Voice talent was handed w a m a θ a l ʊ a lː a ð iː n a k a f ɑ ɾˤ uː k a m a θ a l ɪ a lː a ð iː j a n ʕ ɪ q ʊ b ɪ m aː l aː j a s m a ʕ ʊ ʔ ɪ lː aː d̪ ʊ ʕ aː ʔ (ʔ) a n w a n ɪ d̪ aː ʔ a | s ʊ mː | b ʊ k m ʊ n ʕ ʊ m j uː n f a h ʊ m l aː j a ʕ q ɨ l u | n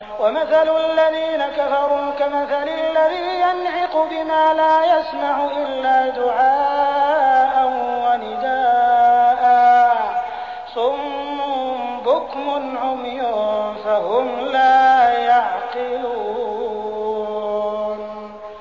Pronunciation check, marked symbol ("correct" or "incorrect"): correct